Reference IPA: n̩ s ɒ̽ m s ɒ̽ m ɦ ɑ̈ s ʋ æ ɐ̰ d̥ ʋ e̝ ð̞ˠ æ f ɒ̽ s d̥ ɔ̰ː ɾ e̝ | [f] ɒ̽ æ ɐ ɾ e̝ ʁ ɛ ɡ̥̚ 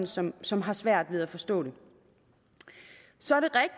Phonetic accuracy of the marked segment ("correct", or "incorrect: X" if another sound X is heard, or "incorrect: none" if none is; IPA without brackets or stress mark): incorrect: s